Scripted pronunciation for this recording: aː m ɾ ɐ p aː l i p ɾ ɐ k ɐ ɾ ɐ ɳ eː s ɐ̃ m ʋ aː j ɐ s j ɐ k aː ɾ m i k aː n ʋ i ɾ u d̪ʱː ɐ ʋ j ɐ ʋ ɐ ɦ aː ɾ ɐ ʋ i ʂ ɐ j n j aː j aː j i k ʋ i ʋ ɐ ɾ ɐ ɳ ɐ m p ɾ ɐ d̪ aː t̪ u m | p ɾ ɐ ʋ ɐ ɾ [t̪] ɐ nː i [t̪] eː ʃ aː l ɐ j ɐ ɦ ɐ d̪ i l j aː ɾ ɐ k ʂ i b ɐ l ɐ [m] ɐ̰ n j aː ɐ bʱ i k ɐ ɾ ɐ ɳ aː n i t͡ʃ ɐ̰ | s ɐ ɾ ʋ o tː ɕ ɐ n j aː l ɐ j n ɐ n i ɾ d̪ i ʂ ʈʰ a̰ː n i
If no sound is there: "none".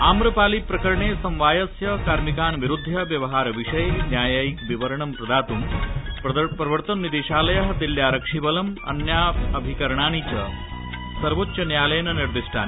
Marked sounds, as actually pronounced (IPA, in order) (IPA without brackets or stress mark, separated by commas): t̪, d̪, m